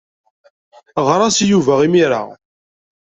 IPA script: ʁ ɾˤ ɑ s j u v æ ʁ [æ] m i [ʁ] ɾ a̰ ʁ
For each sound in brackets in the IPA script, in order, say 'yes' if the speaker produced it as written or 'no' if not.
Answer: no, no

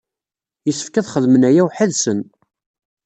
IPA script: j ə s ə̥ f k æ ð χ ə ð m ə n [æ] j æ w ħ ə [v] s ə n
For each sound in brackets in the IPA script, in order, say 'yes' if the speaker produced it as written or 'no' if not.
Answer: yes, no

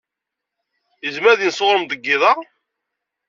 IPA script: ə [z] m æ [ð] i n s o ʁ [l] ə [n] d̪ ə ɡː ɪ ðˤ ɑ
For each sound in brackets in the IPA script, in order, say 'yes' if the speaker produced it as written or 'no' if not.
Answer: yes, yes, no, no

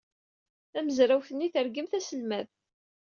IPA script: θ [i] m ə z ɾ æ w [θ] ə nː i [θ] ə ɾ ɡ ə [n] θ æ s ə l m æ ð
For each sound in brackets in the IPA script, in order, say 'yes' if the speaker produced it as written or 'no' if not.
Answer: no, yes, yes, no

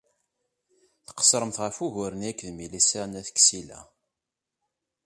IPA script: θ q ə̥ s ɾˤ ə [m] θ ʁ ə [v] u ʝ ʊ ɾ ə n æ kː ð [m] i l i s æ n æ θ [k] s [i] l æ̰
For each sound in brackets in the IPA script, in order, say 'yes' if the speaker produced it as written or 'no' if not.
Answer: yes, no, yes, yes, yes

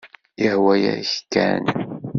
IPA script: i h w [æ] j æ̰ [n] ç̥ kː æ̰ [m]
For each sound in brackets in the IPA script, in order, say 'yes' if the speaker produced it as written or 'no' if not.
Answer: yes, no, no

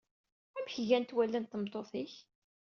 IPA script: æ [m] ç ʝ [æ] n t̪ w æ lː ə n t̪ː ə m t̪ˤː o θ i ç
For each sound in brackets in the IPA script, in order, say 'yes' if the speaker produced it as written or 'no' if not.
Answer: yes, yes

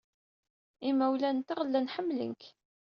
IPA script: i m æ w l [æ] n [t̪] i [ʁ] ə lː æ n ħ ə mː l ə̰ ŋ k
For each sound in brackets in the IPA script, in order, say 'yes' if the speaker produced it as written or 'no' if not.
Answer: yes, yes, yes

